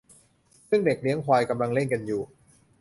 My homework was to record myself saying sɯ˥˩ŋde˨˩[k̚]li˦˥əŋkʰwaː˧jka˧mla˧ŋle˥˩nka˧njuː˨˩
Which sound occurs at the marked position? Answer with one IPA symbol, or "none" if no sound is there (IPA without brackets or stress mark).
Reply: k̚